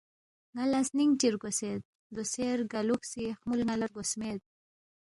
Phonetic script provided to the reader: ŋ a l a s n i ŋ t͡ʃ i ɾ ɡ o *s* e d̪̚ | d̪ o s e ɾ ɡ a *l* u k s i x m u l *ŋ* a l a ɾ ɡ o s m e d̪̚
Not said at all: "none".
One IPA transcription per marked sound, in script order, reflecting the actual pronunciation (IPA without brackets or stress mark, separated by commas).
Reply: s, l, ŋ